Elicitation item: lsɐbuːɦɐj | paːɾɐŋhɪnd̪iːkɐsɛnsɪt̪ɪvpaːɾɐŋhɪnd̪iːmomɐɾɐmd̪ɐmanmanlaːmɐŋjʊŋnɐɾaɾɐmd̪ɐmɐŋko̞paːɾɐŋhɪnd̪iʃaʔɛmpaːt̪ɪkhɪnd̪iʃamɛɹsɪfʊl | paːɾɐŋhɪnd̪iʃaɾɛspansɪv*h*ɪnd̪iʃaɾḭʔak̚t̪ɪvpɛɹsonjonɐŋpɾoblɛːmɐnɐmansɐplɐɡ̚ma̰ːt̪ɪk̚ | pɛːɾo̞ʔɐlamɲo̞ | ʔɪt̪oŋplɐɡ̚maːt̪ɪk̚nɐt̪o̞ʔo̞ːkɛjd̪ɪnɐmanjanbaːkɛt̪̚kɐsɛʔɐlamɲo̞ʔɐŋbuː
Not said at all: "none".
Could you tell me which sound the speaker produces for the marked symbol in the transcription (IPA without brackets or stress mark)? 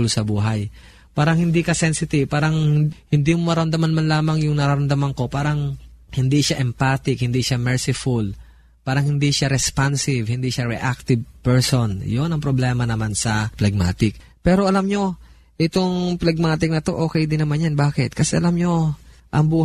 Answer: h